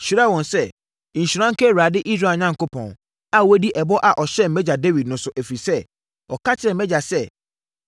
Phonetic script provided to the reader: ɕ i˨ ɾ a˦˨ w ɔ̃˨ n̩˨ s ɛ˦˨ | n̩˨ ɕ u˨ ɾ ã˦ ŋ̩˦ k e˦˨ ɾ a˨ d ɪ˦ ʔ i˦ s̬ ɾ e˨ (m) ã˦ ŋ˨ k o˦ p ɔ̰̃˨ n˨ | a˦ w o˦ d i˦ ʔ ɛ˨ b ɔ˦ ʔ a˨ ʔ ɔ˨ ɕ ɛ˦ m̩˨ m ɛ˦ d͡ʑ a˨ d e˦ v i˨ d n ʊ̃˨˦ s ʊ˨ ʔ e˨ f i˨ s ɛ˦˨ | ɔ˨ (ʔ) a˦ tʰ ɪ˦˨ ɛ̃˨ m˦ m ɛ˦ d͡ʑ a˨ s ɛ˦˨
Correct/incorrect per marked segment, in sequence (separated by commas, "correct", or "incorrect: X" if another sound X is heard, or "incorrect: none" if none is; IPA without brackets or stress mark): incorrect: ɲ, incorrect: k